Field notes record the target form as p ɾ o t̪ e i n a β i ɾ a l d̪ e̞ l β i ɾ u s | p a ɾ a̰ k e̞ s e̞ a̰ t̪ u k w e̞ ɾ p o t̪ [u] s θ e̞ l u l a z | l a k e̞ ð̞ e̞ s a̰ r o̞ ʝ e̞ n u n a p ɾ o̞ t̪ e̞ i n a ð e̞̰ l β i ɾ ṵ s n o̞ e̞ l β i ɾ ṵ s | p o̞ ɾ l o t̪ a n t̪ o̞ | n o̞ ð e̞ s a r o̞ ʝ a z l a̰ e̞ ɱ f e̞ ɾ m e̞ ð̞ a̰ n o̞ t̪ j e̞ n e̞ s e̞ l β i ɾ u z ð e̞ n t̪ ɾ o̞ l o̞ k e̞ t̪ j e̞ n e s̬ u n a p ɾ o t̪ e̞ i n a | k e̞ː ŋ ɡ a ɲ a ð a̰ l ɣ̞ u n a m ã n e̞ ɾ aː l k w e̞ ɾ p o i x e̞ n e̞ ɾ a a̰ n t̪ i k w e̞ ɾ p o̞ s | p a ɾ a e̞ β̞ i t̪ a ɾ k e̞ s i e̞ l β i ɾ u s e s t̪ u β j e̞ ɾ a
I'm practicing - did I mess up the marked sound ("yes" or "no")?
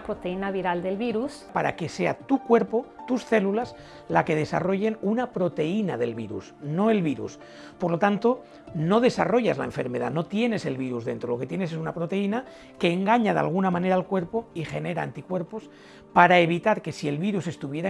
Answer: no